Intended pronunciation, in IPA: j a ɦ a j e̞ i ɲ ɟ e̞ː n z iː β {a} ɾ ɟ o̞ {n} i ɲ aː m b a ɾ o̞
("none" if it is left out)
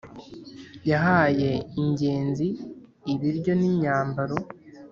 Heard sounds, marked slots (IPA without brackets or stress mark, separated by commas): i, n